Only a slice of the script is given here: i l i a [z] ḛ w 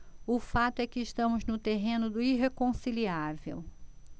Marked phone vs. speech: incorrect: v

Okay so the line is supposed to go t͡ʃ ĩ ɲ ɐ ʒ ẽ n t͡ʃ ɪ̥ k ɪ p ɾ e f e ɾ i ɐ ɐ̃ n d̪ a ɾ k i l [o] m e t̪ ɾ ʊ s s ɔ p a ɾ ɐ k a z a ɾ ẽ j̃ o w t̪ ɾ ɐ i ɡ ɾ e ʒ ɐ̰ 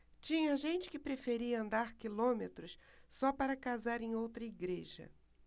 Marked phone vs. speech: incorrect: õ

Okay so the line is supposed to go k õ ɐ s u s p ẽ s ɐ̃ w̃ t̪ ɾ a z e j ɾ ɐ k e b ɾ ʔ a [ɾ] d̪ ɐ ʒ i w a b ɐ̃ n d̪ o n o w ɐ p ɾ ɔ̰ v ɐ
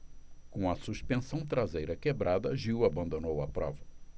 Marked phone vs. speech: incorrect: none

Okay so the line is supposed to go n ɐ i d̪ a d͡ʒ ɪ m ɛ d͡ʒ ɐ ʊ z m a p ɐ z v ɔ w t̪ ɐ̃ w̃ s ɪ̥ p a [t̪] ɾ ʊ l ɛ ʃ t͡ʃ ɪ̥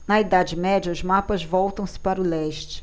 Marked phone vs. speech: incorrect: none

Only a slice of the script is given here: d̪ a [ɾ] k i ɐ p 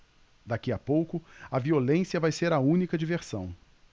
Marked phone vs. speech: incorrect: none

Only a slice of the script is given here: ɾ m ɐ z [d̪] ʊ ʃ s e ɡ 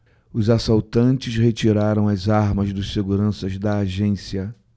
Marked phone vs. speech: correct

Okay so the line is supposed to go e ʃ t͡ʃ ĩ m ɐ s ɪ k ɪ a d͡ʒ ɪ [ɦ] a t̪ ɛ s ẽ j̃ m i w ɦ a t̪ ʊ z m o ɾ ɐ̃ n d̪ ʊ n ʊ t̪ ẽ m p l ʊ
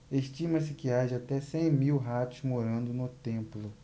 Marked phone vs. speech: incorrect: none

